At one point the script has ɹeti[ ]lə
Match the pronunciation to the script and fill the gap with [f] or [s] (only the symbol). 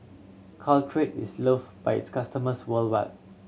s